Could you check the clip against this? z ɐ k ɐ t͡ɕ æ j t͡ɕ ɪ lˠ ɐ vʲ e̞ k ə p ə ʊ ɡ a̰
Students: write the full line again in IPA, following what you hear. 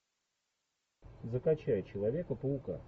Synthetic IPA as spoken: z ə k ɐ t͡ɕ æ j t͡ɕ ɪ lˠ ɐ vʲ e̞ k ə p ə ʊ k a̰